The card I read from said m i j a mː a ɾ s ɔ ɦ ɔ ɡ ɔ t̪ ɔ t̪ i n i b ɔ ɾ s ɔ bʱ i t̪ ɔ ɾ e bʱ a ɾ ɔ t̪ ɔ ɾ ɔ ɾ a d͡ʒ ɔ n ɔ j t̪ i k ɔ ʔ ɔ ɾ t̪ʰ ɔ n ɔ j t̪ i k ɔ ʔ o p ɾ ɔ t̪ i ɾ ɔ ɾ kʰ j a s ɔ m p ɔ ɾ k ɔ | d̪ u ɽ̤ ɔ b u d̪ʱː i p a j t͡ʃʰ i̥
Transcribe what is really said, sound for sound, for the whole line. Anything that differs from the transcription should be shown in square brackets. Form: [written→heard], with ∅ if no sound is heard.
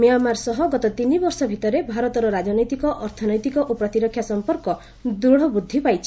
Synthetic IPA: m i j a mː a ɾ s ɔ ɦ ɔ ɡ ɔ t̪ ɔ t̪ i n i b ɔ ɾ s ɔ bʱ i t̪ ɔ ɾ e bʱ a ɾ ɔ t̪ ɔ ɾ ɔ ɾ a d͡ʒ ɔ n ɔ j t̪ i k ɔ ʔ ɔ ɾ t̪ʰ ɔ n ɔ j t̪ i k ɔ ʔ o p ɾ ɔ t̪ i ɾ ɔ [ɾ→∅] kʰ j a s ɔ m p ɔ ɾ k ɔ | d̪ u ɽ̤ ɔ b u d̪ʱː i p a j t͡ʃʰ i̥